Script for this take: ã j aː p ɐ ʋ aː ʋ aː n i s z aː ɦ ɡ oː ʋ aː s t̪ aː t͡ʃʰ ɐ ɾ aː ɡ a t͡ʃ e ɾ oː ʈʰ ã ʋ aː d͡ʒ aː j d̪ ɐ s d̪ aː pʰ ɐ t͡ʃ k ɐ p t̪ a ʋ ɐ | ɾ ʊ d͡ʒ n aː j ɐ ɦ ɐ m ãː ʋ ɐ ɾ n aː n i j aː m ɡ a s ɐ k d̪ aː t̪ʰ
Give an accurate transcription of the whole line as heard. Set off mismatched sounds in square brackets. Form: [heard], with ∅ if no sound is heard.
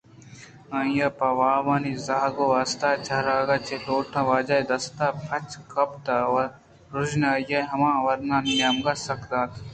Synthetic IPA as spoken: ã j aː p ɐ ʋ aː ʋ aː n i [∅] z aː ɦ ɡ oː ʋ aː s t̪ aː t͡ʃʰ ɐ ɾ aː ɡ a t͡ʃ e [l] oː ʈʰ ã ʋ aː d͡ʒ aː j d̪ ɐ s [t̪] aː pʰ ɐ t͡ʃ k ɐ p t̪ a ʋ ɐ | ɾ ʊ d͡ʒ n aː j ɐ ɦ ɐ m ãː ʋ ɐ ɾ n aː n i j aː m ɡ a s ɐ k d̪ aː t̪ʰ